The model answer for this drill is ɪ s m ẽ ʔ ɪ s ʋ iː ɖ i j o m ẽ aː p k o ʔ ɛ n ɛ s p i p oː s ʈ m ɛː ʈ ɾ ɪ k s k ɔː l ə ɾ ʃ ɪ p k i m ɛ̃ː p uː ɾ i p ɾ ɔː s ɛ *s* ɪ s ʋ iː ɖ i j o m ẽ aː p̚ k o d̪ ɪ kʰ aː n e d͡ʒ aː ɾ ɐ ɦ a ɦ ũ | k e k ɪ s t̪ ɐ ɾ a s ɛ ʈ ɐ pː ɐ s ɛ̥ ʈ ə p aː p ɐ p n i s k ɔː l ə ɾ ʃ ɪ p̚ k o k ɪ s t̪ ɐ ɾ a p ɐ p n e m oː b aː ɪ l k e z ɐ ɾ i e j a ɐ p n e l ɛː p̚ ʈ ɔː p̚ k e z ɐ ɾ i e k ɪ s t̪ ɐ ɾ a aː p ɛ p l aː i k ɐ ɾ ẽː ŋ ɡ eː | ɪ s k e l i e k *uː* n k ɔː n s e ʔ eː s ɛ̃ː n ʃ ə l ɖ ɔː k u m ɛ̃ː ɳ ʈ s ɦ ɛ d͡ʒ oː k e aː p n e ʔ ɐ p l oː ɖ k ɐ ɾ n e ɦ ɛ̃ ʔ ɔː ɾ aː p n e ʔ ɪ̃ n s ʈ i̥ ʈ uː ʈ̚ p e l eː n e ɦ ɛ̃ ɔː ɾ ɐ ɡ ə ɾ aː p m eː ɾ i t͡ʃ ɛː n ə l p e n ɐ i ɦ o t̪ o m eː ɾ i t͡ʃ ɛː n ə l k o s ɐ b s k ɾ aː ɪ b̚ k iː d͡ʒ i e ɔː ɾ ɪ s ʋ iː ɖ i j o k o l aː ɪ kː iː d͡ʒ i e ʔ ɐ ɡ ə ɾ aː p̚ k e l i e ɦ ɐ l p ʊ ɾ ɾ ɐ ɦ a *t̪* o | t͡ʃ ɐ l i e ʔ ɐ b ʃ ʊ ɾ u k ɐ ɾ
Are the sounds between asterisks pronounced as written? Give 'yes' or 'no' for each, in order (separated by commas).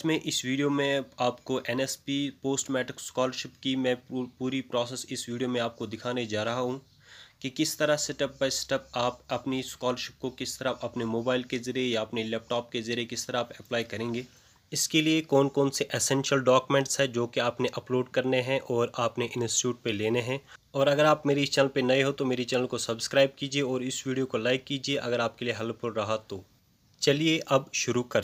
yes, no, yes